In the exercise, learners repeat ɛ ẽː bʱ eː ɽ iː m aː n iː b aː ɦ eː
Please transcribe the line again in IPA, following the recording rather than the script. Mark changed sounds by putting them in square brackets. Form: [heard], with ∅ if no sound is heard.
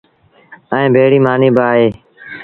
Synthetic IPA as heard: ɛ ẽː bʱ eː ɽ iː m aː n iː b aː ɦ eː